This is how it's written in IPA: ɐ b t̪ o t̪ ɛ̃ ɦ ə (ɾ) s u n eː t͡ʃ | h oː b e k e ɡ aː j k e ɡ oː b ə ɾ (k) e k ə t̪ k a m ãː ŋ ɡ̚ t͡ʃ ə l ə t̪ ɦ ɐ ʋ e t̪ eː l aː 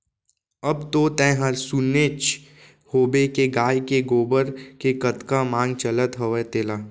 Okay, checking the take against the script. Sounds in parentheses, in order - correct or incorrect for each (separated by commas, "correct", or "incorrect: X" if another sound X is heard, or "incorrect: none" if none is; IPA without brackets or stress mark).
correct, correct